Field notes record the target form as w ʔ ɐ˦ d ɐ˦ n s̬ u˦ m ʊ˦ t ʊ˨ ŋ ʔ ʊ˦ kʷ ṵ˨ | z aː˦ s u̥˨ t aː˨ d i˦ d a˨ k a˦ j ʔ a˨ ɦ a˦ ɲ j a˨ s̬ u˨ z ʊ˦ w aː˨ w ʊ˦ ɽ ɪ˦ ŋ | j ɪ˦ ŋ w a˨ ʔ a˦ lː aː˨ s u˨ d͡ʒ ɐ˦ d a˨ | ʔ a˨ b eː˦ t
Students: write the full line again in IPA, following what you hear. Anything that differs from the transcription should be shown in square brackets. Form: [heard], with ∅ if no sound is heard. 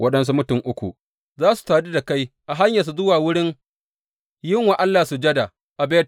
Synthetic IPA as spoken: w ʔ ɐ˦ [ɗ] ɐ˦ n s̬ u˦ m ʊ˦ t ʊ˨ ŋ ʔ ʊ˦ kʷ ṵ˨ | z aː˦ s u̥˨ t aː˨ d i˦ d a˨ k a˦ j ʔ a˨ ɦ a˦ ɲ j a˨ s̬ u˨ z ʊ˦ w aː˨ w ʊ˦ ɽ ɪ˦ ŋ | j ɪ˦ ŋ w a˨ ʔ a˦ lː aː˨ s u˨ d͡ʒ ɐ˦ d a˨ | ʔ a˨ b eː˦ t